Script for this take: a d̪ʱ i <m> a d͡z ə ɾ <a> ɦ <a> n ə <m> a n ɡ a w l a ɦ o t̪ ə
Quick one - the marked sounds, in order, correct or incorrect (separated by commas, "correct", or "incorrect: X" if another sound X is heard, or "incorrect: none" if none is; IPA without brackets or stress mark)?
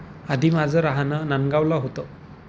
correct, correct, correct, incorrect: n